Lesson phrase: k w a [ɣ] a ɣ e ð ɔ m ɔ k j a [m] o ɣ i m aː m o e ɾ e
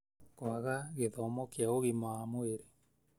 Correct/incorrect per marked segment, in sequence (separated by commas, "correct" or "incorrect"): correct, incorrect